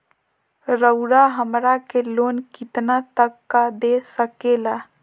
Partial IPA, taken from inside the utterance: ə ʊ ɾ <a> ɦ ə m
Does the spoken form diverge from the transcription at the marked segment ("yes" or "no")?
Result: no